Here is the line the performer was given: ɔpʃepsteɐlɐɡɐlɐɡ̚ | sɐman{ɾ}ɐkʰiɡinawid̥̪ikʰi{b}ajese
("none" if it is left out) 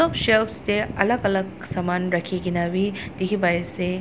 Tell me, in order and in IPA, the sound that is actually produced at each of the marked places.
ɾ, b

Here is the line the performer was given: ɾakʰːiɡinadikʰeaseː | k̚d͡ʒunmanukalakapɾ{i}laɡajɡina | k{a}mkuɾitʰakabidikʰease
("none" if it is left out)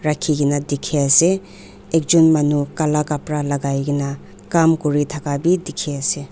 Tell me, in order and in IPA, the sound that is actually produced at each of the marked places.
a, a

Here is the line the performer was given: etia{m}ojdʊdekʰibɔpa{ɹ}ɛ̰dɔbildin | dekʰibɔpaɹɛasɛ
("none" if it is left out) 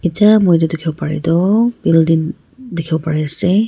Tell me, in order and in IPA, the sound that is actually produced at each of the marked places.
m, ɹ

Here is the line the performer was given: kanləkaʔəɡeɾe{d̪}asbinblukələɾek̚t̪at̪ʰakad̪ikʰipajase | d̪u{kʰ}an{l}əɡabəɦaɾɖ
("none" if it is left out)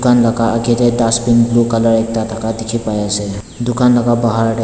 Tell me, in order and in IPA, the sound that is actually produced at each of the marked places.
d̪, k, l

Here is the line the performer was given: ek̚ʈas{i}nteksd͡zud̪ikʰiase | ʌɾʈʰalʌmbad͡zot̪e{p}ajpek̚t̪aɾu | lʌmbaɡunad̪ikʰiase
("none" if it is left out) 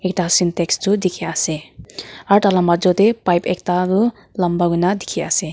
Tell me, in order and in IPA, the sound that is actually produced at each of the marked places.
i, p

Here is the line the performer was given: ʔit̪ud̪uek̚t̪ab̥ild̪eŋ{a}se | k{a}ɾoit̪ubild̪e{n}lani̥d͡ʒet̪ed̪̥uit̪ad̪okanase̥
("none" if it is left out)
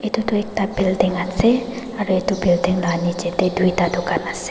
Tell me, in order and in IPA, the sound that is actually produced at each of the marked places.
a, a, ŋ

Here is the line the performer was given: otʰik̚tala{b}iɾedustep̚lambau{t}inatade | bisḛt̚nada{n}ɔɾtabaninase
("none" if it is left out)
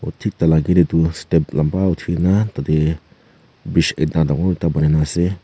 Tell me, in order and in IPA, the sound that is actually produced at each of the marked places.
ɡ, tʰ, ŋ

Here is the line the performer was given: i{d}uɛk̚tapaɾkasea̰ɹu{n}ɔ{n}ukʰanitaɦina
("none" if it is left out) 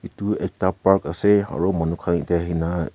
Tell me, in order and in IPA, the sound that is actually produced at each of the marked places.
t, m, n

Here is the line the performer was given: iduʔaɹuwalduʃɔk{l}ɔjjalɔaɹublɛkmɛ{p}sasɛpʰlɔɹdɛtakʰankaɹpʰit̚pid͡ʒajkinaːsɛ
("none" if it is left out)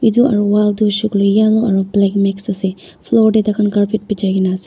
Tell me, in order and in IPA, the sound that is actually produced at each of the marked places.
l, k

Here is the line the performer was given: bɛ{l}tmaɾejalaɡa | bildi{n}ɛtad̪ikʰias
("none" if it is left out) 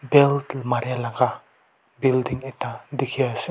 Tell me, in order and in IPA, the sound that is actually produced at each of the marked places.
l, ŋ

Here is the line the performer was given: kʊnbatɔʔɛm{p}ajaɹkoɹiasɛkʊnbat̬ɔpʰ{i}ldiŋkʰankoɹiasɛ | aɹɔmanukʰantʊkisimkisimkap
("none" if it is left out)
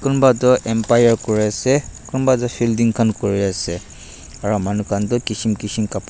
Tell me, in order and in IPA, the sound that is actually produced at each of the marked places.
p, i

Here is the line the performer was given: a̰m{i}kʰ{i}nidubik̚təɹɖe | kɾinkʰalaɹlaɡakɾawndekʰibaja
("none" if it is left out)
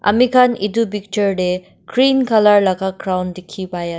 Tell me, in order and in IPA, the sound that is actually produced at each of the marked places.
i, a

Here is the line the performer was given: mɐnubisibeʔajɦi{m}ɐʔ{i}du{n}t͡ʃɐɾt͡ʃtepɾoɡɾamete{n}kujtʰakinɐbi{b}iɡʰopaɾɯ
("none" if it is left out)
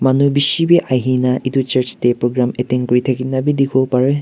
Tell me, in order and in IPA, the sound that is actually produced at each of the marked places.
n, i, none, ŋ, d

